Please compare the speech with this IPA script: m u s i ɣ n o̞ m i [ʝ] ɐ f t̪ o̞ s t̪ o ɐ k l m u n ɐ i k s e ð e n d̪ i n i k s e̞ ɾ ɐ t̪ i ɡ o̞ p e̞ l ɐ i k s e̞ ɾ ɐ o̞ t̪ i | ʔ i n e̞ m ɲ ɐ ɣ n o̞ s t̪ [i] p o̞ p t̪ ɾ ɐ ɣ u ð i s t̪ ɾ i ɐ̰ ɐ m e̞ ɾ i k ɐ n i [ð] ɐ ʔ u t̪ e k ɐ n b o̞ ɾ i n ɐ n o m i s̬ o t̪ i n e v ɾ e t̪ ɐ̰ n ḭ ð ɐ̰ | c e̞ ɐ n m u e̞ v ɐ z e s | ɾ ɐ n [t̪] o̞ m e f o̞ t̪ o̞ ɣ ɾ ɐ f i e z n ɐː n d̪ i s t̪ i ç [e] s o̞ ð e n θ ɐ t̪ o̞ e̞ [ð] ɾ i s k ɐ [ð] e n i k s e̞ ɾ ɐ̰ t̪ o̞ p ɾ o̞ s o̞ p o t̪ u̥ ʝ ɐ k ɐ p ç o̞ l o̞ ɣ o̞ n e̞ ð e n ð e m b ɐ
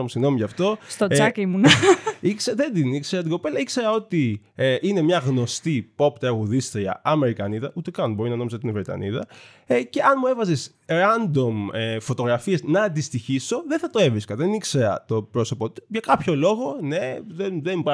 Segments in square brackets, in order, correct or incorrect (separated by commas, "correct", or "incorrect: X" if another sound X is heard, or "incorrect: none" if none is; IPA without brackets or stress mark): correct, correct, correct, incorrect: d̪, incorrect: i, incorrect: v, correct